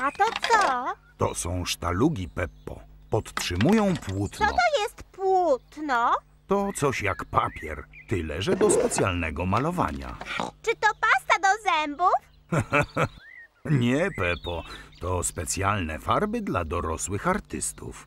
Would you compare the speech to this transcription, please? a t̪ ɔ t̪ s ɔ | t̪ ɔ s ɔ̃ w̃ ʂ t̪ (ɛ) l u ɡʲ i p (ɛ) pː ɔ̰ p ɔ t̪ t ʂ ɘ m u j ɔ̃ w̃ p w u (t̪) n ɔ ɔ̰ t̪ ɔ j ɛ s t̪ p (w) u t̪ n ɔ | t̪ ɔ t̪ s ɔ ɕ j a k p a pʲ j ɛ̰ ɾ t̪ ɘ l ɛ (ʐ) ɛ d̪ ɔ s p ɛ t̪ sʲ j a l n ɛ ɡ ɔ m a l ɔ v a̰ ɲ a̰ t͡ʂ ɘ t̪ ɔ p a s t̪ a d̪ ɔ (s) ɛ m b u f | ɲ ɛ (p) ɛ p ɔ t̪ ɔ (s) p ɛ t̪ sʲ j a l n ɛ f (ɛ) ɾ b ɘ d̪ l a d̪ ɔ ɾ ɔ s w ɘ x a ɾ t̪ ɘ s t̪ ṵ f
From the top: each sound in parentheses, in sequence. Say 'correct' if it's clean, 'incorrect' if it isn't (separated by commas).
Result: incorrect, correct, correct, correct, correct, incorrect, correct, correct, incorrect